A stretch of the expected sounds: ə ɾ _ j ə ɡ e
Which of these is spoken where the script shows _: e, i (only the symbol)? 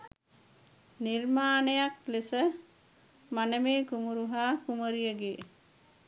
i